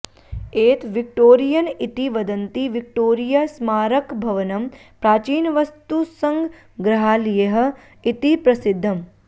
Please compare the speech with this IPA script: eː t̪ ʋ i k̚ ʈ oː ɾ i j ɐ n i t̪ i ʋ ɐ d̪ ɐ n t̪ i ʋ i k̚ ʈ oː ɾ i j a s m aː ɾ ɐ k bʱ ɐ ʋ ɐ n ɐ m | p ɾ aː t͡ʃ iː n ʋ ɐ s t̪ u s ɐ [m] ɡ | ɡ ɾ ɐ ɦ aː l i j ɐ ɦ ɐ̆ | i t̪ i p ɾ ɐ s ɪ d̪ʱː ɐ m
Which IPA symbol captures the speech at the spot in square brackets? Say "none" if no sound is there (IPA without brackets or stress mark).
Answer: ŋ